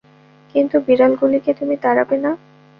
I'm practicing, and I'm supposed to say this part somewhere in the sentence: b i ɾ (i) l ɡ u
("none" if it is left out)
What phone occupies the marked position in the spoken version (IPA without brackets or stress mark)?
a